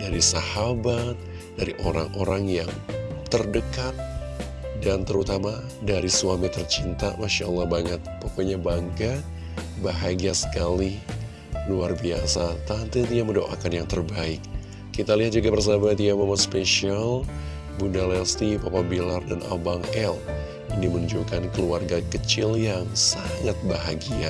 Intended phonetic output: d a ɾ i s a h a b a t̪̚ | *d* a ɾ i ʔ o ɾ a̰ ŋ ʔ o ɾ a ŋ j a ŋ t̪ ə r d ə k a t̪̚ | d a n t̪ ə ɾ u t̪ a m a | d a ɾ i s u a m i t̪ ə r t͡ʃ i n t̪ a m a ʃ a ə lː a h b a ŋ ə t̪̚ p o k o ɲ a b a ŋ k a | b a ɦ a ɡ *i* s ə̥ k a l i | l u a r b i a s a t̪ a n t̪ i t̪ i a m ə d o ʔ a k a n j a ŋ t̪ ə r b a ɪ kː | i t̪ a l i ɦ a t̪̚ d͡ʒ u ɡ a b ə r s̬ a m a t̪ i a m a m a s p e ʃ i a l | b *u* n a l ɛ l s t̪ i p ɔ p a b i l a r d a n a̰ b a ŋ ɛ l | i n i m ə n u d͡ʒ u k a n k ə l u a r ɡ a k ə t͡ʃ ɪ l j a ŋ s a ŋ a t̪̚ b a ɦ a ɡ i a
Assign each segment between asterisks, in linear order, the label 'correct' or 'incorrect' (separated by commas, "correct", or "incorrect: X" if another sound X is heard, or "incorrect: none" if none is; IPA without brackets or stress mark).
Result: correct, incorrect: a, correct